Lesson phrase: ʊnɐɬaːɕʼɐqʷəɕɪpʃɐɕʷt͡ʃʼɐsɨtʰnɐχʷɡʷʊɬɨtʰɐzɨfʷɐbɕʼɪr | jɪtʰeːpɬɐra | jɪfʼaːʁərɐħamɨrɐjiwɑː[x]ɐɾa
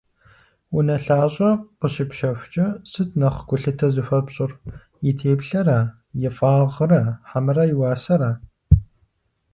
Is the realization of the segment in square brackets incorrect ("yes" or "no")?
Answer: yes